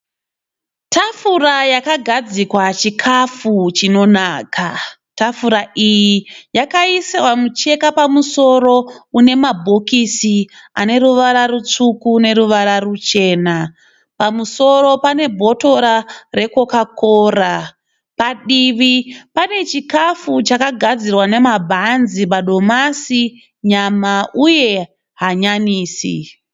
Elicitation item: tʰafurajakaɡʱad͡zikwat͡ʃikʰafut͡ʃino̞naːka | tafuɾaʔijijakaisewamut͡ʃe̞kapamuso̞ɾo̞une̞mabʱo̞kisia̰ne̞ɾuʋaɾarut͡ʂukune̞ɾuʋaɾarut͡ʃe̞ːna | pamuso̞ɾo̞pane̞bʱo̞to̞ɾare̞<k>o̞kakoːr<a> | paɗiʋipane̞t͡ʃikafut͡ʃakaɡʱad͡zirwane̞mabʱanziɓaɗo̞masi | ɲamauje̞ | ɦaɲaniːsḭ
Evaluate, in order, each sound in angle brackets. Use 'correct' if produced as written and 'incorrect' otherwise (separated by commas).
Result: correct, correct